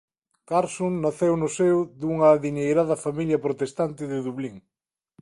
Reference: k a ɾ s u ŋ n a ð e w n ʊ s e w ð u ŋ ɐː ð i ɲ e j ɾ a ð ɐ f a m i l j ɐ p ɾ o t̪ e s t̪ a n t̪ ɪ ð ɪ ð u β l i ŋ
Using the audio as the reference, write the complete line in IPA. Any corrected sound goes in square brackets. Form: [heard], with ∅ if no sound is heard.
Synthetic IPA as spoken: k a ɾ s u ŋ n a [θ] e w n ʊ s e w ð u ŋ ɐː ð i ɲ e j ɾ a ð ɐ f a m i l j ɐ p ɾ o t̪ e s t̪ a n t̪ ɪ ð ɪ ð u β l i ŋ